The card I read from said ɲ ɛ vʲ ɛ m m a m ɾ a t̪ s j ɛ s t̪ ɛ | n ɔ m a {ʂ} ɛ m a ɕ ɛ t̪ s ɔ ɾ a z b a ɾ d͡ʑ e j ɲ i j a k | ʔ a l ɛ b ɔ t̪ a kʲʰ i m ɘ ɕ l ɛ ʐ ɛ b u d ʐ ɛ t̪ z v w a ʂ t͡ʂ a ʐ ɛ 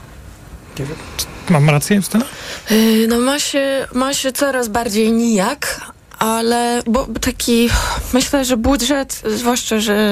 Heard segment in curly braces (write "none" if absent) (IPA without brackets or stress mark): ɕ